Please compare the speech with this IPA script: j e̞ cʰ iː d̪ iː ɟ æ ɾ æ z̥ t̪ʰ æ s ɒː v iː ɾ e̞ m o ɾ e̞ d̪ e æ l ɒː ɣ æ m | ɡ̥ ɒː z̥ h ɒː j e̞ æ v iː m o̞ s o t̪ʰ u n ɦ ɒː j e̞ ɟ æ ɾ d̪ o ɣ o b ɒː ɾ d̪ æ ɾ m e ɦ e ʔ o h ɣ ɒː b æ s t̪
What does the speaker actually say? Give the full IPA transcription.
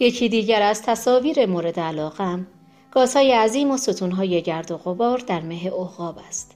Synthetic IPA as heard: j e̞ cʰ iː d̪ iː ɟ æ ɾ æ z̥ t̪ʰ æ s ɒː v iː ɾ e̞ m o ɾ e̞ d̪ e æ l ɒː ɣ æ m | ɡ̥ ɒː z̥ h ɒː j e̞ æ z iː m o̞ s o t̪ʰ u n ɦ ɒː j e̞ ɟ æ ɾ d̪ o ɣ o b ɒː ɾ d̪ æ ɾ m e ɦ e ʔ o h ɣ ɒː b æ s t̪